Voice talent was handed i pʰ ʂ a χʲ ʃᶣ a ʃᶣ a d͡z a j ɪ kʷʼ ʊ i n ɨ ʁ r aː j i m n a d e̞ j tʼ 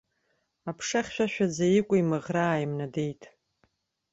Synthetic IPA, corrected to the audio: a pʰ ʂ a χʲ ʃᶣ a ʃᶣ a d͡z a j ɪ kʷʼ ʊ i m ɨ ʁ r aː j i m n a d e̞ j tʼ